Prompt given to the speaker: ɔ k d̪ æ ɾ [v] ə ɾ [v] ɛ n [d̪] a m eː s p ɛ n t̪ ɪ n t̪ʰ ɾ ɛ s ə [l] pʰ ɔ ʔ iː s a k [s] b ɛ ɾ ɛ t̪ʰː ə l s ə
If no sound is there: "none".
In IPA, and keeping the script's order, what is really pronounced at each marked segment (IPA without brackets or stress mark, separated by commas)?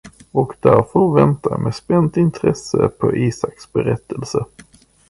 f, v, t̪, none, s